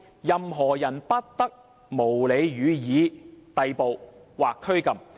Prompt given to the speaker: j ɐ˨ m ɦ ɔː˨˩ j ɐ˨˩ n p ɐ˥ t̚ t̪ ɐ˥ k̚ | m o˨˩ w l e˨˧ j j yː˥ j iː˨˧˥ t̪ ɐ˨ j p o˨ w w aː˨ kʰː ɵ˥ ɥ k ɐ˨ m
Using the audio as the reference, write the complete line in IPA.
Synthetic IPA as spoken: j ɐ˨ m ɦ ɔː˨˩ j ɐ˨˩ n p ɐ˥ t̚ t̪ ɐ˥ k̚ | m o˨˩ w l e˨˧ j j yː˨˧ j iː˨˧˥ t̪ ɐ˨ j p o˨ w w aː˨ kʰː ɵ˥ ɥ k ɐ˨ m